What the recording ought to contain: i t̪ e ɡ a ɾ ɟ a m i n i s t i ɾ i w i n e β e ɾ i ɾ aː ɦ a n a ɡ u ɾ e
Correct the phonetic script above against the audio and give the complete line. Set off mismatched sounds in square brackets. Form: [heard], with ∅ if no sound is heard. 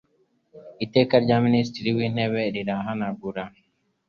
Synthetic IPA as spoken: i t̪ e [k] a ɾ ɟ a m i n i s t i ɾ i w i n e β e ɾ i ɾ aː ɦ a n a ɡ u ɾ [a]

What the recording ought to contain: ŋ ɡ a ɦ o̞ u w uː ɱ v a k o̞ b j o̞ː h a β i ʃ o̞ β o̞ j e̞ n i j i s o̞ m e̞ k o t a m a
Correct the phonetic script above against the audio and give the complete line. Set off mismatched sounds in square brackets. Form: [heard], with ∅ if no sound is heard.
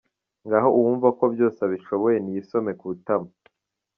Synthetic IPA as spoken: ŋ ɡ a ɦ o̞ u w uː ɱ v a k o̞ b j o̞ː [s] a β i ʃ o̞ β o̞ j e̞ n i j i s o̞ m e̞ k [u] t a m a

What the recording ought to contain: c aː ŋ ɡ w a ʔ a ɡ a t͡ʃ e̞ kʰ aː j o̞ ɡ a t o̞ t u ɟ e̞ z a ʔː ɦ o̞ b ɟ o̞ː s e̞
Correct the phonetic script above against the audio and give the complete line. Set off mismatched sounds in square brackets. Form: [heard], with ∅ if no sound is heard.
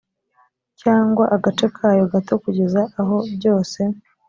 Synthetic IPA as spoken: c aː ŋ ɡ w a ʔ a ɡ a t͡ʃ e̞ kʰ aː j o̞ ɡ a t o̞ [k] u ɟ e̞ z a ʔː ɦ o̞ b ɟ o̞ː s e̞

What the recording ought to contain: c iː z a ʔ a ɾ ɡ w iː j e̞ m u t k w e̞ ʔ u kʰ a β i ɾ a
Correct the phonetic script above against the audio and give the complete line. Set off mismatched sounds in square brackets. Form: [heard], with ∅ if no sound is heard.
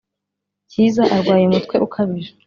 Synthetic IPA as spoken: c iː z a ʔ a ɾ ɡ w [aː] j e̞ m u t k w e̞ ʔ u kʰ a β i ɾ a

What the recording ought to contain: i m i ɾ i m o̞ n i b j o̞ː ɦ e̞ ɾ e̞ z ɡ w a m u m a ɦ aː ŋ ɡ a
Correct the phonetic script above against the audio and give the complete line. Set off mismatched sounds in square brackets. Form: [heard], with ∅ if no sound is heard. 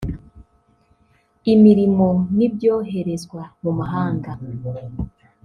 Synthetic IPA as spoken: i m i ɾ i m o̞ n i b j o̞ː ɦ e̞ ɾ e̞ z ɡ w a m u m a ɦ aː ŋ ɡ a

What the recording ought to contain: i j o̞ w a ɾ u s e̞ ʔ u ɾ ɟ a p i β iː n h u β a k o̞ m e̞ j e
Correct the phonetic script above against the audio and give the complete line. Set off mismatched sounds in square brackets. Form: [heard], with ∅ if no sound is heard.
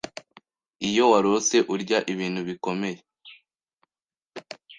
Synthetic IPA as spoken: i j o̞ w a ɾ [o] s e̞ ʔ u ɾ ɟ a [ʔ] i β iː n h u β [i] k o̞ m e̞ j e

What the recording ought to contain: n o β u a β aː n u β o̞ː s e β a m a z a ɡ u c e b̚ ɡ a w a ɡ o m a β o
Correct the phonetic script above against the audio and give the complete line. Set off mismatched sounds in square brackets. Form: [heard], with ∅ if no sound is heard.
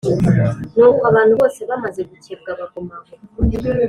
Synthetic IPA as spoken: n o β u a β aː n u β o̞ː s e β a m a z [e] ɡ u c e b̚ ɡ a [β] a ɡ o m a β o

